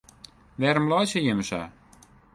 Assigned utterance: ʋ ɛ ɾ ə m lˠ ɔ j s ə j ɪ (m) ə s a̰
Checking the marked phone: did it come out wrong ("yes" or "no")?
no